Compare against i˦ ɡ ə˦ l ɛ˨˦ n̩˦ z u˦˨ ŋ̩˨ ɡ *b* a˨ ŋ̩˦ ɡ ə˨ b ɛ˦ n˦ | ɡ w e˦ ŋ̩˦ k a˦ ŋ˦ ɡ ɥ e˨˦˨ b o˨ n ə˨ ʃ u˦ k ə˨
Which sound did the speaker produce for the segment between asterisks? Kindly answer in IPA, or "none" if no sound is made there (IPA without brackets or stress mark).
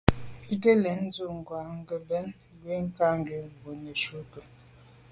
w